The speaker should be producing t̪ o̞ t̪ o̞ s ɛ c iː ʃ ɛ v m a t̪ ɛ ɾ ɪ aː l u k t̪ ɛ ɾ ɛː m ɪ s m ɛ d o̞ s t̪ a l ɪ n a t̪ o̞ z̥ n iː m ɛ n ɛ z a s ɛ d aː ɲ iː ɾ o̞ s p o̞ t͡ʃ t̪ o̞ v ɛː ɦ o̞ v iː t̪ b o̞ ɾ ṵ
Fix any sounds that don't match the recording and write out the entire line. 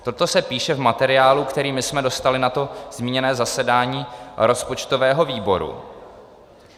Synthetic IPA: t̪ o̞ t̪ o̞ s ɛ p iː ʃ ɛ v m a t̪ ɛ ɾ ɪ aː l u k t̪ ɛ ɾ iː m ɪ s m ɛ d o̞ s t̪ a l ɪ n a t̪ o̞ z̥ m iː ɲ ɛ n ɛː z a s ɛ d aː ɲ iː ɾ o̞ s p o̞ t͡ʃ t̪ o̞ v ɛː ɦ o̞ v iː b o̞ ɾ ṵ